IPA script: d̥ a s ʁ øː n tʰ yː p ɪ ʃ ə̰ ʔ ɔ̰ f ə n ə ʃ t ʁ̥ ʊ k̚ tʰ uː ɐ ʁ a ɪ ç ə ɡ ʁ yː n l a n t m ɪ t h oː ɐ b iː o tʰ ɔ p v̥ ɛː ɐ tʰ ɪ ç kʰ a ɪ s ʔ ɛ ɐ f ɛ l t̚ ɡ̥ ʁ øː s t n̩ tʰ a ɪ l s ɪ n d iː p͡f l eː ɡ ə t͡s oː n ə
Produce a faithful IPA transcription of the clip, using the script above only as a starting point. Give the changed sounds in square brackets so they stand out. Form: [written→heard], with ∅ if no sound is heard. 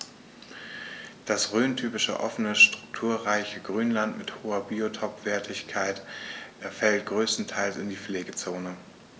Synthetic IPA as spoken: d̥ a s ʁ øː n tʰ yː p ɪ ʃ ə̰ ʔ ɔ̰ f ə n ə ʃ t ʁ̥ ʊ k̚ tʰ uː ɐ ʁ a ɪ ç ə ɡ ʁ yː n l a n t m ɪ t h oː ɐ b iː o tʰ ɔ p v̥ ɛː ɐ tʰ ɪ ç kʰ a ɪ [s→t] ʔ ɛ ɐ f ɛ l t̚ ɡ̥ ʁ øː s t n̩ tʰ a ɪ l s ɪ n d iː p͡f l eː ɡ ə t͡s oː n ə